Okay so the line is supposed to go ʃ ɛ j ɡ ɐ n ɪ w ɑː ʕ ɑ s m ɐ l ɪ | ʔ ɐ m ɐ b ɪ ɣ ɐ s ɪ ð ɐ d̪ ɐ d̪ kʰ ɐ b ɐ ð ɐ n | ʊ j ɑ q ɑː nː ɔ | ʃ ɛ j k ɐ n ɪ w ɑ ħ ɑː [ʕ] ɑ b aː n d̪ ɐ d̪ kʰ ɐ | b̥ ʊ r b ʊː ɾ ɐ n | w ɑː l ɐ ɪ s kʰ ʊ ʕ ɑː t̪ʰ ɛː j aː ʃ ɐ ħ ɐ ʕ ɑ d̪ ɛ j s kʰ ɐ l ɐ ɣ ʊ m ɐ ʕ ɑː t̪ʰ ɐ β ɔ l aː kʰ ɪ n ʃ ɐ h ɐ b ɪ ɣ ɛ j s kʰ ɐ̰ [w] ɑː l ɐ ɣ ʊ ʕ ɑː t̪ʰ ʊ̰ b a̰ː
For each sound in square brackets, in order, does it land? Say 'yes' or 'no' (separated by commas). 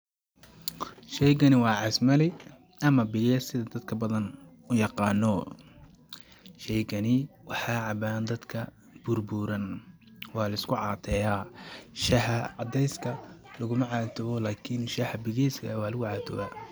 yes, yes